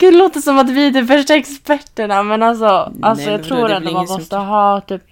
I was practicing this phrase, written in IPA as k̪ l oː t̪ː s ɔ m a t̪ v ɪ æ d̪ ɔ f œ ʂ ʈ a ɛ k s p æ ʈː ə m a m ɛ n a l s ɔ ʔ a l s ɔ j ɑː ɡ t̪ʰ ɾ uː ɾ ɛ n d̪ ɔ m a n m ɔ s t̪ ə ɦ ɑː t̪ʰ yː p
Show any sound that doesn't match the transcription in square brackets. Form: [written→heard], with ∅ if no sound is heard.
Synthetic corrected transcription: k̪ l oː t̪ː s ɔ m a t̪ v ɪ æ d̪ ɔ f œ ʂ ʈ a ɛ k s p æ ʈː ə [m→ɳ] a m ɛ n a l s ɔ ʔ a l s ɔ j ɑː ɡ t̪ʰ ɾ uː ɾ ɛ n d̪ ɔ m a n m ɔ s t̪ ə ɦ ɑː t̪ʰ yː p